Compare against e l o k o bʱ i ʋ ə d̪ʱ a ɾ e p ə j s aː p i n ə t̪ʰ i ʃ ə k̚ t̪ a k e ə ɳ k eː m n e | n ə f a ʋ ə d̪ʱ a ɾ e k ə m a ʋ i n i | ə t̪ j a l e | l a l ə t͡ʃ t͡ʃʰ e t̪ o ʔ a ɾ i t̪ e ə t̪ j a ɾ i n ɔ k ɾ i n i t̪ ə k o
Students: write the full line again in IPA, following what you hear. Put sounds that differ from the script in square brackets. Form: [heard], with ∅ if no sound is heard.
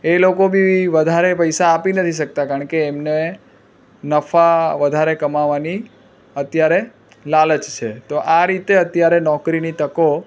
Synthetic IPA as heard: e l o k o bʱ i ʋ ə d̪ʱ a ɾ e p ə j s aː p i n ə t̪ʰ i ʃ ə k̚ t̪ a k [a] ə ɳ k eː m n e | n ə f a ʋ ə d̪ʱ a ɾ e k ə m a ʋ [a] n i | ə t̪ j a [ɾ] e | l a l ə t͡ʃ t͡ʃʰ e t̪ o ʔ a ɾ i t̪ e ə t̪ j a ɾ [e] n ɔ k ɾ i n i t̪ ə k o